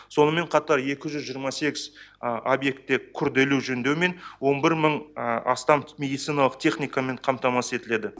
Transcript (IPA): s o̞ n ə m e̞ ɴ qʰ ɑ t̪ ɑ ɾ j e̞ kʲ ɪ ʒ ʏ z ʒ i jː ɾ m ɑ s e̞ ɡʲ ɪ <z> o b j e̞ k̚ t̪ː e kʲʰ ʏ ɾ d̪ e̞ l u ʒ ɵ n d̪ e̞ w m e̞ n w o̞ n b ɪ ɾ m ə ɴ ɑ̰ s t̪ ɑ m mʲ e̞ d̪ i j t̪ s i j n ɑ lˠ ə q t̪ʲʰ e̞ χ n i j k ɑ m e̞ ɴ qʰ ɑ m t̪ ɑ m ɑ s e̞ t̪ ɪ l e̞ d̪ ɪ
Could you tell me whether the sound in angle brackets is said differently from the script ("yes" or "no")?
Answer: no